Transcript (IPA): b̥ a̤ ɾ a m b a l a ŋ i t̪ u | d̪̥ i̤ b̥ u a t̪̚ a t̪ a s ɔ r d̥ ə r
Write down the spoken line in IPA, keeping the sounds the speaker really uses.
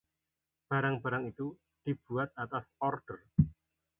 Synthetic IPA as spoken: b̥ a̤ ɾ a ŋ b a ɾ a ŋ i t̪ u | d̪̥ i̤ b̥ u a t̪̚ a t̪ a s ɔ r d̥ ə r